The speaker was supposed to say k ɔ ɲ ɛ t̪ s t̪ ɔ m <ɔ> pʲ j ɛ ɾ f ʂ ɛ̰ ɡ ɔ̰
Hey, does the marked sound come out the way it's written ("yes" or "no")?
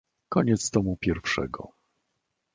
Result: no